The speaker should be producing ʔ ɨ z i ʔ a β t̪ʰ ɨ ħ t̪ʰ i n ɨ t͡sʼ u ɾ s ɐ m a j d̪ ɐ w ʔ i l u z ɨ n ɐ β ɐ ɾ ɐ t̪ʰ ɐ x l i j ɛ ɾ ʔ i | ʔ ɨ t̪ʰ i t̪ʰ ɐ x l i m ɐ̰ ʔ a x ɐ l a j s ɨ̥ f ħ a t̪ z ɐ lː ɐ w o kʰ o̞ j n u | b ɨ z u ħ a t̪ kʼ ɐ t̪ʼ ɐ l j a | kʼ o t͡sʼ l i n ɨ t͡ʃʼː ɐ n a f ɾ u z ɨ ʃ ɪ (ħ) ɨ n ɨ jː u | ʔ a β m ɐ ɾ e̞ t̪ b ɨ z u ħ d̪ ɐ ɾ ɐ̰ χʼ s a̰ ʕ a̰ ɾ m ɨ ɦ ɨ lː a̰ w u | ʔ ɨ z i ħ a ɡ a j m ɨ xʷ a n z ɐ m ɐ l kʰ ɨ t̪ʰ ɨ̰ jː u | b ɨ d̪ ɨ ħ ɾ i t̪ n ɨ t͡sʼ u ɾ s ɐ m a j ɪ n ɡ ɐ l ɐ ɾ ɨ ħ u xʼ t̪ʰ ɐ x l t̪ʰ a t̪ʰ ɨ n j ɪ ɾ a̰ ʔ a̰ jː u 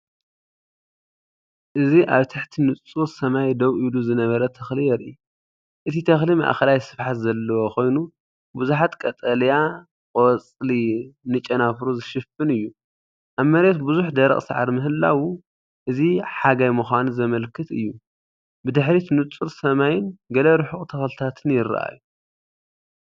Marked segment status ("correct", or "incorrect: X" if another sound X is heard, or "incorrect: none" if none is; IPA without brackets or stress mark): incorrect: f